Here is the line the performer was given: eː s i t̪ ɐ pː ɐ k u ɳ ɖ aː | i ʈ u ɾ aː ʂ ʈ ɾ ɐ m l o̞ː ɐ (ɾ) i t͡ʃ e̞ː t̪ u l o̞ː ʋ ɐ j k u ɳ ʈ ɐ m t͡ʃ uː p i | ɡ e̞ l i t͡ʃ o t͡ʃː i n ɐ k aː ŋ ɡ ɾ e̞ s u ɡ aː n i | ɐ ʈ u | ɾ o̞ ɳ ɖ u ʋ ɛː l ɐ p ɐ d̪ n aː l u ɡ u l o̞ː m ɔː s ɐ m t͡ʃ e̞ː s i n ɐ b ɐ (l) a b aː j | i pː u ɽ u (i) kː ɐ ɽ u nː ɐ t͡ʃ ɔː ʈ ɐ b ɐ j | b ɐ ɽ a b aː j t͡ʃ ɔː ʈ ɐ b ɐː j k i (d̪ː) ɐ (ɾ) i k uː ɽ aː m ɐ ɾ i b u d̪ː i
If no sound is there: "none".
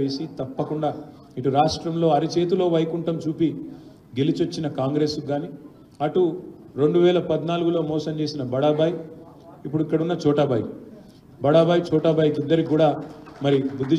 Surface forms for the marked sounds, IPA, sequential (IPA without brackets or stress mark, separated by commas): ɾ, ɽ, i, d̪ː, ɾ